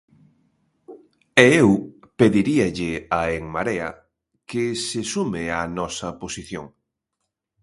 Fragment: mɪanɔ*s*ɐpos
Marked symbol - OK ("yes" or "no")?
yes